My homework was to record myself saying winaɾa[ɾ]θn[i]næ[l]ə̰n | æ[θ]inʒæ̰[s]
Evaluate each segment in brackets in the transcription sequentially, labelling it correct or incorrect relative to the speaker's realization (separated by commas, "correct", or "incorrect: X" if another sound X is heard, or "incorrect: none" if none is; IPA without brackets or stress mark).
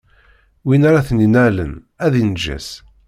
incorrect: none, correct, correct, incorrect: ð, correct